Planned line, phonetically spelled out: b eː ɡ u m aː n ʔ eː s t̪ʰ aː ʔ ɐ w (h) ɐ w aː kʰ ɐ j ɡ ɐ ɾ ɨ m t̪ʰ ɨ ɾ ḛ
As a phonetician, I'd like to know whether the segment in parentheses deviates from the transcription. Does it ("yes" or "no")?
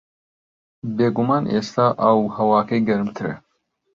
no